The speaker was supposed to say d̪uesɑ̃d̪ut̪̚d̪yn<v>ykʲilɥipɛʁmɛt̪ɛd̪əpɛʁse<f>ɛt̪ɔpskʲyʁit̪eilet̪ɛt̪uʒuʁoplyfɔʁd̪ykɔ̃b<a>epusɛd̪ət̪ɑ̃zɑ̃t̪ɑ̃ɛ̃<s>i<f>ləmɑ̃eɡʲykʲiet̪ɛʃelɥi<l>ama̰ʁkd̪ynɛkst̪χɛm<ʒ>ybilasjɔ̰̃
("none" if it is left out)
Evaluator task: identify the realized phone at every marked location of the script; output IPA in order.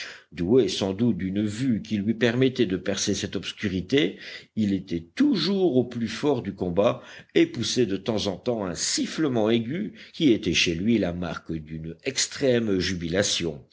v, s, a, s, f, l, ʒ

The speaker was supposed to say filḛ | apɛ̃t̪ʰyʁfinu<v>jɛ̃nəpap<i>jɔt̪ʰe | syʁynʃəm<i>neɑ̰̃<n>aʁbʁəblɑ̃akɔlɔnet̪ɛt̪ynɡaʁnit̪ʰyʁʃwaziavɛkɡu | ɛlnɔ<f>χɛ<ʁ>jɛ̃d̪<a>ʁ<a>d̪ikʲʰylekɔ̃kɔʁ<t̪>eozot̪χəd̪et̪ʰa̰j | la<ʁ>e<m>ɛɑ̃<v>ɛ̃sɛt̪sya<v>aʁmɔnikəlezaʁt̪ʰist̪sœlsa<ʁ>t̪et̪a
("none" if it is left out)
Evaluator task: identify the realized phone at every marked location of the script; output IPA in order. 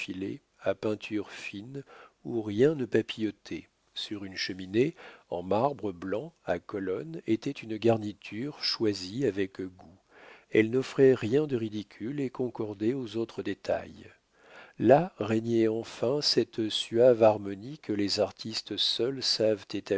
ʁ, i, i, m, f, ʁ, ə, i, d̪, ʁ, ɲ, f, v, v

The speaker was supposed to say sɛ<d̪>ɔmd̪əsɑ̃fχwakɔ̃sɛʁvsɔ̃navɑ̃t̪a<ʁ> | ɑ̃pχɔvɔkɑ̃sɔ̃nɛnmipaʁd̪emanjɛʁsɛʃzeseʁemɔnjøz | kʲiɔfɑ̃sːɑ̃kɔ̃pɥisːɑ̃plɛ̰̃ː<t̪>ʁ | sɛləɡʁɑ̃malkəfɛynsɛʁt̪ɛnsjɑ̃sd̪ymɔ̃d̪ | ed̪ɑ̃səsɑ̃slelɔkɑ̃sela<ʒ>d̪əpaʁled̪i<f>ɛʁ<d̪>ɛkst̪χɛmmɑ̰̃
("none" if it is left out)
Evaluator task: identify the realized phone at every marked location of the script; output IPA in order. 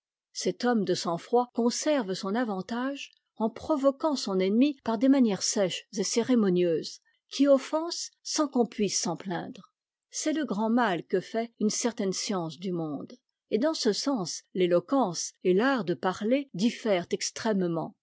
t̪, ʒ, d̪, ʁ, f, t̪

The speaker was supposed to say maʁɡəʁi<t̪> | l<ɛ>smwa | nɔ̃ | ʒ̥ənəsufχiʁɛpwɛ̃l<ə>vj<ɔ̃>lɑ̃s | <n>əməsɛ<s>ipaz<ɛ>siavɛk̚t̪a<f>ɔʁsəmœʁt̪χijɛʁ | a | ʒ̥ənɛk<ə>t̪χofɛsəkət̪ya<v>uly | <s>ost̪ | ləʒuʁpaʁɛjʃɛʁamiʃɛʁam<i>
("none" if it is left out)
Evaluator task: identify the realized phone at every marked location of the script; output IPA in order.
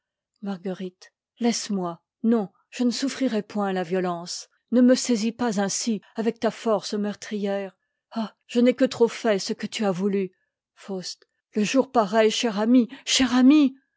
t̪, ɛ, a, ɔ, n, z, ɛ̃, f, ə, v, f, i

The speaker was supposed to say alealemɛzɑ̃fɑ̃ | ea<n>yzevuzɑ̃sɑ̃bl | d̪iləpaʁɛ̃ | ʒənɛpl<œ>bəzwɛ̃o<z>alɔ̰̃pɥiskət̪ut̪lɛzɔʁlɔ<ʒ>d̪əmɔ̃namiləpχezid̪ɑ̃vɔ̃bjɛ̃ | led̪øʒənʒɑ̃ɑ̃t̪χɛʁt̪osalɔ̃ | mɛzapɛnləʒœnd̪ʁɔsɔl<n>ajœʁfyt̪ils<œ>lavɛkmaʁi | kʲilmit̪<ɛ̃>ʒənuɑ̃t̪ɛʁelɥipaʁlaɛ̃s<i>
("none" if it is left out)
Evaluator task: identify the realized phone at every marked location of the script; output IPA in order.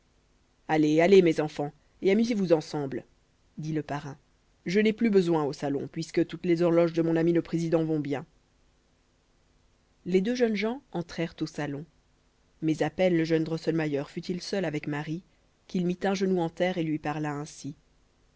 m, y, s, ʒ, m, œ, ɛ̃, i

